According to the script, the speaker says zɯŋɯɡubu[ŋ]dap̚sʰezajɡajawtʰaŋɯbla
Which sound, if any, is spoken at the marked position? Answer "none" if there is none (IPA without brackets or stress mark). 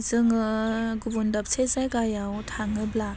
n